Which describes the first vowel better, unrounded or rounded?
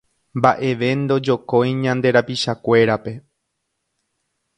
unrounded